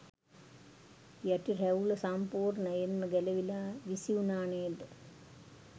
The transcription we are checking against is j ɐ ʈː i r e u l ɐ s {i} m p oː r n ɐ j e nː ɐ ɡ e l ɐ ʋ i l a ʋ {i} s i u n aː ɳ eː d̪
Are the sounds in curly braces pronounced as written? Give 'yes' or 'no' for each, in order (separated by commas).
no, yes